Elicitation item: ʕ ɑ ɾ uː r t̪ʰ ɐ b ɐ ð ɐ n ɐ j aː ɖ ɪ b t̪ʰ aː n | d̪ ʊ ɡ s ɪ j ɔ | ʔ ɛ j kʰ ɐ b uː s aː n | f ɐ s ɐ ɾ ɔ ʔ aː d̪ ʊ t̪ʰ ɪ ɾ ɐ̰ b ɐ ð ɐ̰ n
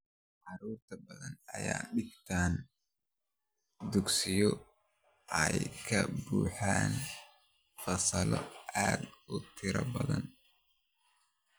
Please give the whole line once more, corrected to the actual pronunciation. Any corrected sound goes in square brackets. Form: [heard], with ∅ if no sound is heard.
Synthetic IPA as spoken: ʕ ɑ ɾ uː r t̪ʰ ɐ b ɐ ð ɐ n ɐ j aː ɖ ɪ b t̪ʰ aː n | d̪ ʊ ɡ s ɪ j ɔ | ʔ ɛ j kʰ ɐ b uː [ħ] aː n | f ɐ s ɐ [l] ɔ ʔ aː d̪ ʊ t̪ʰ ɪ ɾ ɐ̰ b ɐ ð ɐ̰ n